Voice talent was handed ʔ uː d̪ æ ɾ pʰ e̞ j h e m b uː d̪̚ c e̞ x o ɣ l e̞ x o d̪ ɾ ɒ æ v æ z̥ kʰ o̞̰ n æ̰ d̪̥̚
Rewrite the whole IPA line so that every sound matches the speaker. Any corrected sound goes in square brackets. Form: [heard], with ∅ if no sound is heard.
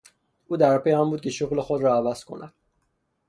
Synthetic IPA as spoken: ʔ uː d̪ æ ɾ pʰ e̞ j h [æ] m b uː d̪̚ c e̞ [ʃ] o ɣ l e̞ x o d̪ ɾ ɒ æ v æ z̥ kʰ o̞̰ n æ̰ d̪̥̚